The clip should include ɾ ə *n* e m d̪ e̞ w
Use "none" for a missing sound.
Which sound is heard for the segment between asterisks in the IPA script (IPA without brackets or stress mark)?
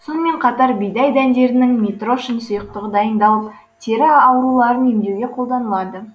n